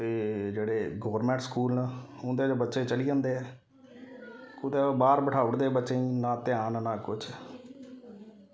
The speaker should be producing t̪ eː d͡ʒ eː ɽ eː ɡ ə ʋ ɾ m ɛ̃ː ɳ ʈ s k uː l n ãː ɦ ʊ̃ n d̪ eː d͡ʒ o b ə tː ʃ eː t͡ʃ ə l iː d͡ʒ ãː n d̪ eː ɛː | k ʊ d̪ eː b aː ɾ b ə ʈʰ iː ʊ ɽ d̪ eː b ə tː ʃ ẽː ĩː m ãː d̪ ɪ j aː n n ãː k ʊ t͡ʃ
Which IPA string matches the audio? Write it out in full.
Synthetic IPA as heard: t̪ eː d͡ʒ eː ɽ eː ɡ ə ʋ ɾ m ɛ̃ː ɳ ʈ s k uː l n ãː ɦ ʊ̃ n d̪ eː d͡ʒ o b ə tː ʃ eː t͡ʃ ə l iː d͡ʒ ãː n d̪ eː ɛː | k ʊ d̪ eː b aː ɾ b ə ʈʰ aː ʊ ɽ d̪ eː b ə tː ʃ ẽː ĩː n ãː t̪ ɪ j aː n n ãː k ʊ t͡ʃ